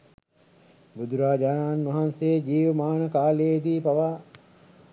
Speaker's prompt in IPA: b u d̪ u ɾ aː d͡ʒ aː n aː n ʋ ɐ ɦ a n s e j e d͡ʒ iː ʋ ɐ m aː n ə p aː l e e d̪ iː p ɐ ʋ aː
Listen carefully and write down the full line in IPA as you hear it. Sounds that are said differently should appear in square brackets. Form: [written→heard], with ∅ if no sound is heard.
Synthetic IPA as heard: b u d̪ u ɾ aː d͡ʒ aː n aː n ʋ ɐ ɦ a n s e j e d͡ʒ iː ʋ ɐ m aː n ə [p→k] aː l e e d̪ iː p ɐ ʋ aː